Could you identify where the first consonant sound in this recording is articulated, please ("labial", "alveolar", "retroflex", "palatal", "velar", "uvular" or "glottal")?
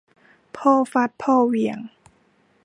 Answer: labial